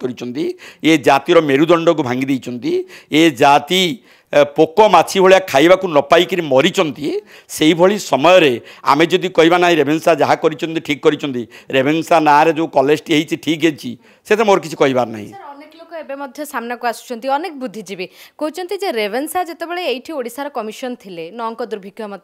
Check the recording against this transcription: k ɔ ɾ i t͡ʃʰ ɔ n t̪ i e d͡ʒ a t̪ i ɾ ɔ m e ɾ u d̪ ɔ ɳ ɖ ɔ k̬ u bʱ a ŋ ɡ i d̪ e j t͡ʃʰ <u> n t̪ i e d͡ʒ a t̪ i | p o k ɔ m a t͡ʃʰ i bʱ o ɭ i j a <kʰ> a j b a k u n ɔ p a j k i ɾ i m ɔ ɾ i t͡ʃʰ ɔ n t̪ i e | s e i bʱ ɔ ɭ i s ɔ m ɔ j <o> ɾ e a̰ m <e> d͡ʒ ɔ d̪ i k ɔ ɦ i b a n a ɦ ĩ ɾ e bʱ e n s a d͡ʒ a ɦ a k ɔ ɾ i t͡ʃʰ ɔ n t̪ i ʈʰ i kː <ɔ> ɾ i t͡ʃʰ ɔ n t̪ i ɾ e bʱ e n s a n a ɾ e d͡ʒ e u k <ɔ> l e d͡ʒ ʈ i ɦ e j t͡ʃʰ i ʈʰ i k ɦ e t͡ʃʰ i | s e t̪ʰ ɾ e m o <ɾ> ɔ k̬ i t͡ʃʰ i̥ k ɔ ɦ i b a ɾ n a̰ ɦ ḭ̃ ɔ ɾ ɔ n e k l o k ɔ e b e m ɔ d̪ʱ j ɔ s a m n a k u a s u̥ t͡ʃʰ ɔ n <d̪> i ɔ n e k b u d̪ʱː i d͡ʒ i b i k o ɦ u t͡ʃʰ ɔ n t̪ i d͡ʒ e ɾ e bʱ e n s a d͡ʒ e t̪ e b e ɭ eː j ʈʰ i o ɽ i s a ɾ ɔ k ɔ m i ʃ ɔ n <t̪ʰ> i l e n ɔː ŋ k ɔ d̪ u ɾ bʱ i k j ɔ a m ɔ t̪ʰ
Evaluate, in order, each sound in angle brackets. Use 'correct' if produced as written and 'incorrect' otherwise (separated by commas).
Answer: incorrect, correct, incorrect, correct, correct, correct, correct, incorrect, correct